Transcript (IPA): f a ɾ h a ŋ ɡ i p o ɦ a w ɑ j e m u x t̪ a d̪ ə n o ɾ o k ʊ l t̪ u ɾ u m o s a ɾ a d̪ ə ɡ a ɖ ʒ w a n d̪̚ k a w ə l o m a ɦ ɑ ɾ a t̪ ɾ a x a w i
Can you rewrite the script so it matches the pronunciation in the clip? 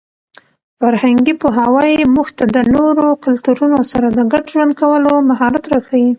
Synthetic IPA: f a ɾ h a ŋ ɡ i p o ɦ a w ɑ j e m u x t̪ a d̪ ə n o ɾ o k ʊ l t̪ u ɾ u n o s a ɾ a d̪ ə ɡ a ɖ ʒ w a n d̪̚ k a w ə l o m a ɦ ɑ ɾ a t̪ ɾ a x a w i